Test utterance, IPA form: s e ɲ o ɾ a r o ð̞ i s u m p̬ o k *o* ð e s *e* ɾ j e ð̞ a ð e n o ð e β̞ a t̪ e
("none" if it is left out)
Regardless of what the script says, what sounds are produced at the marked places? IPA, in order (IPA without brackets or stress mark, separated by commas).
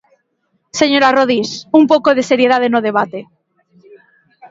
o, e